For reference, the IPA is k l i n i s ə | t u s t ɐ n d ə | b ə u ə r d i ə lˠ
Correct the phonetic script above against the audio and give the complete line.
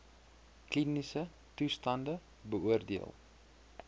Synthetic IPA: k l i n i s ə | t u s t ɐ n d ə | b ə u ə r d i ə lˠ